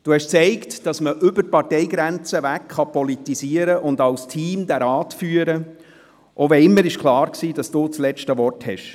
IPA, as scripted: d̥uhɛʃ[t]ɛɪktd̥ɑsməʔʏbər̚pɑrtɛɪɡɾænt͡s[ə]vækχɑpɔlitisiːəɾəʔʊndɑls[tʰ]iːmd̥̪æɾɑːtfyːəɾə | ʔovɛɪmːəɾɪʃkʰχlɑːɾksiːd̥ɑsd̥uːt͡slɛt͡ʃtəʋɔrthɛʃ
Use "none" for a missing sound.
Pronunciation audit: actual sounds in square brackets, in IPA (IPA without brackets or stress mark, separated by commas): t͡s, ə, tʰ